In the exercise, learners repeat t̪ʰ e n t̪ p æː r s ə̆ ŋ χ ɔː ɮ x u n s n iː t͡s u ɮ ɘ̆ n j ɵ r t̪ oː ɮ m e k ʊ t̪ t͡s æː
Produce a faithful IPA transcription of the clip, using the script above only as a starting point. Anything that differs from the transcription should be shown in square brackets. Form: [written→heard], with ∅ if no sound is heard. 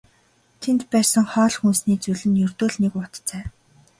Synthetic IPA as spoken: t̪ʰ e n t̪ p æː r s ə̆ ŋ χ ɔː ɮ x u n s n iː t͡s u ɮ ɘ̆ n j ɵ r t̪ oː ɮ [m→n] e k ʊ t̪ t͡s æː